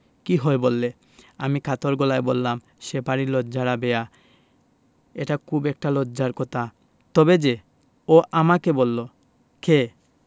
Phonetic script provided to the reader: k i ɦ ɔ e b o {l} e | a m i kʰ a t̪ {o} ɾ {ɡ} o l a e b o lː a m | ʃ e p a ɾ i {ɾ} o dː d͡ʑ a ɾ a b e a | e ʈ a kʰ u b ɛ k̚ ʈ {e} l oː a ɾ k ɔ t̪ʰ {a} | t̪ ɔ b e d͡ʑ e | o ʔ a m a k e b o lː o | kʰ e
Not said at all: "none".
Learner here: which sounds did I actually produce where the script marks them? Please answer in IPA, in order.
lː, o, ɡ, l, a, a

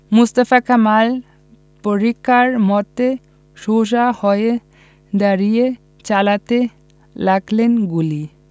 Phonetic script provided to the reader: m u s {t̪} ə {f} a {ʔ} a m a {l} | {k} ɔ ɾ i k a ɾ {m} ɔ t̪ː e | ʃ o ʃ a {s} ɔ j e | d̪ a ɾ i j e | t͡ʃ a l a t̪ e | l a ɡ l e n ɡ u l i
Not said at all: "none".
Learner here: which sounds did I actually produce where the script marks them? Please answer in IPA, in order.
t̪, f, k, l, p, m, h

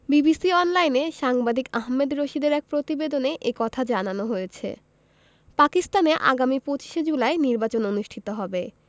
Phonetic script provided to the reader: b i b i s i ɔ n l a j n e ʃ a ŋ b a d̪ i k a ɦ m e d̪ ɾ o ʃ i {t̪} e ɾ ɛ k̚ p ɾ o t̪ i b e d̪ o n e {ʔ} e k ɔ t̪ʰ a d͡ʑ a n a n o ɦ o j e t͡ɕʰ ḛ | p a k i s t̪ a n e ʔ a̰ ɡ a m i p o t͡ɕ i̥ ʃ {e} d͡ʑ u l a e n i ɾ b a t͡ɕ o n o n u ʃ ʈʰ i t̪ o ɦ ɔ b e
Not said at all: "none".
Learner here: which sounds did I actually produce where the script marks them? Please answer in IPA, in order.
d̪, ʔ, e

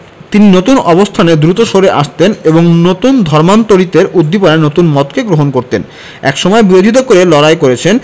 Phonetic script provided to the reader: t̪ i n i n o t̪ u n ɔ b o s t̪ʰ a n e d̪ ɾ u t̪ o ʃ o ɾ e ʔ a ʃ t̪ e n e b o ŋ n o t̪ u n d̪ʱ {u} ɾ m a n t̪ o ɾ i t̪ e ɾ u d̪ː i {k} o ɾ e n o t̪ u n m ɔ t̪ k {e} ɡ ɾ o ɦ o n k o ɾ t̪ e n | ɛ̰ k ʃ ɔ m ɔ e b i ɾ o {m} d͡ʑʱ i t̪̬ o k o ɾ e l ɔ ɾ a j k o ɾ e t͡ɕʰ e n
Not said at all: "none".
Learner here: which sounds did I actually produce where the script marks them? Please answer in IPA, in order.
ɔ, p, e, none

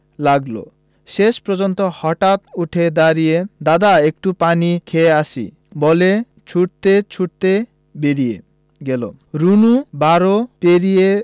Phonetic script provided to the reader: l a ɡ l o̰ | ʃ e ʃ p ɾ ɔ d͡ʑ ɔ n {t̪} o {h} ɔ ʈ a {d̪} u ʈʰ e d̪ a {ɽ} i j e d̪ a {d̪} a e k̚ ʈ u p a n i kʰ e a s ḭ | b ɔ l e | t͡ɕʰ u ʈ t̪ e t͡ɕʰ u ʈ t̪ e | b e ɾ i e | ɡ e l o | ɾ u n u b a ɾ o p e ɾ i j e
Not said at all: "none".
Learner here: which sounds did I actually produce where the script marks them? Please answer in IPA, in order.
t̪, h, t̪, ɾ, d̪

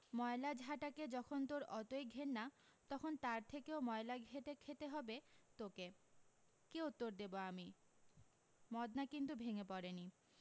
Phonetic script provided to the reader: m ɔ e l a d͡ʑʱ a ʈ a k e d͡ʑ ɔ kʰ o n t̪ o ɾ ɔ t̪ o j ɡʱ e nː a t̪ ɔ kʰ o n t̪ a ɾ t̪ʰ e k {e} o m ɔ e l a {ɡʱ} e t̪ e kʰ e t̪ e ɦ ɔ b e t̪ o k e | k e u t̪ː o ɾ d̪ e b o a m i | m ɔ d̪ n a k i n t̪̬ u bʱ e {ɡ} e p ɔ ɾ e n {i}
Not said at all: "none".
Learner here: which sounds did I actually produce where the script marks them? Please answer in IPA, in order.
e, ɡʱ, ŋ, i

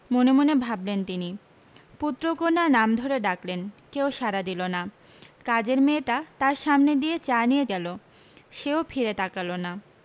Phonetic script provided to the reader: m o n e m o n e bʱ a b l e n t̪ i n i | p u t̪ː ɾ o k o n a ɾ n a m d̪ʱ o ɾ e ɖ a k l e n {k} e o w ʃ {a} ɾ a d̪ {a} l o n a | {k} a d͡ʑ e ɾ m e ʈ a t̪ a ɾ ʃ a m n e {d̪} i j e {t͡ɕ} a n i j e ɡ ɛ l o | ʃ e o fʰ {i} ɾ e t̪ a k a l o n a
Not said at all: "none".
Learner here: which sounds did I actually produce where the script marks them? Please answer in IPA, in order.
k, a, i, k, d̪, t͡ɕ, i

